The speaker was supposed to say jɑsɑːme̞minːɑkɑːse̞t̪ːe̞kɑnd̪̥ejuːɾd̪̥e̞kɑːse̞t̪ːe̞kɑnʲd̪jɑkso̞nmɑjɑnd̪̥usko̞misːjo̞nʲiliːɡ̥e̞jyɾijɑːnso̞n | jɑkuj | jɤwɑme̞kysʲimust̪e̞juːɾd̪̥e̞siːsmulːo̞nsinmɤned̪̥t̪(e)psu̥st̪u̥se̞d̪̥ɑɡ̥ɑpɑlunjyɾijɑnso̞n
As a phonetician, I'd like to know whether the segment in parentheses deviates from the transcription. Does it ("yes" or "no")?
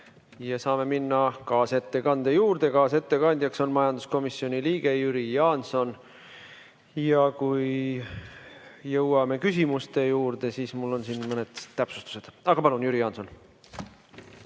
yes